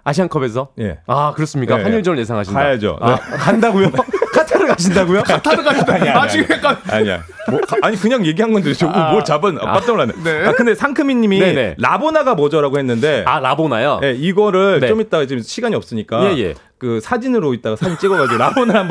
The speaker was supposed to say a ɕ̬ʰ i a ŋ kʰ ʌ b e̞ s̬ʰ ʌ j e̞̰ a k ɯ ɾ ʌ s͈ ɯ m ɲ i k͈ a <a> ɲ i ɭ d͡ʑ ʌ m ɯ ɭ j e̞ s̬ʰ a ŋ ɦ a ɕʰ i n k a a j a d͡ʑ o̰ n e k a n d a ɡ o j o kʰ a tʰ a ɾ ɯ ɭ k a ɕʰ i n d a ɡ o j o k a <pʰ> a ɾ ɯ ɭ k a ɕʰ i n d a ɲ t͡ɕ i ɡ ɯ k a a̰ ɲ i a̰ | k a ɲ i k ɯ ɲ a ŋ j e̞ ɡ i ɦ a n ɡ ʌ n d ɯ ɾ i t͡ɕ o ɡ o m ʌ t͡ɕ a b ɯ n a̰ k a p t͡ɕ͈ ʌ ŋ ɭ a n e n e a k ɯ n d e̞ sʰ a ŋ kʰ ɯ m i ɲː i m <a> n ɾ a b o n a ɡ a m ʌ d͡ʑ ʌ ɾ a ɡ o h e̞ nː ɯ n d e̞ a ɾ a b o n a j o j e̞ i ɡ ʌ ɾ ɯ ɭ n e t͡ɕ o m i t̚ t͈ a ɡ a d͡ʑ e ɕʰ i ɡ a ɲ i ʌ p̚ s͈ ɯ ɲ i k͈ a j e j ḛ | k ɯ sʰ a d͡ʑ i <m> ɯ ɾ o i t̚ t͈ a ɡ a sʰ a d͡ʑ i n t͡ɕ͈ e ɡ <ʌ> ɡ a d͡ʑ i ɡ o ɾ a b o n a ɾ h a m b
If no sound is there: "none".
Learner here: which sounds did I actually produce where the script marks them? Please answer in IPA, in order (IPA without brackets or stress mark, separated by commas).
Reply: a, tʰ, i, n, ʌ